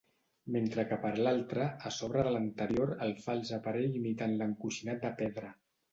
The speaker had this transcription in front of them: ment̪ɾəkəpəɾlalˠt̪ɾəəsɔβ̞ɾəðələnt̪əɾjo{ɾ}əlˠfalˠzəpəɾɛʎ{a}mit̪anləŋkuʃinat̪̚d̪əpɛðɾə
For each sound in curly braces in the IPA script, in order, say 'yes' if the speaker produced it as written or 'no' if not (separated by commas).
yes, no